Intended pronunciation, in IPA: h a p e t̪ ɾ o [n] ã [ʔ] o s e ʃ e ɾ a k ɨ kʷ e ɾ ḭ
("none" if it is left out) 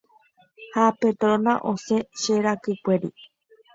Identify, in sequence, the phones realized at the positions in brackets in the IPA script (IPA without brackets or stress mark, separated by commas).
n, ʔ